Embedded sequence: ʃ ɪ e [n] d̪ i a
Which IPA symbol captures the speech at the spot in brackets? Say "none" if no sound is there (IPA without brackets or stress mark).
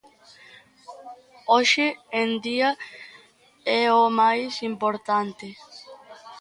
n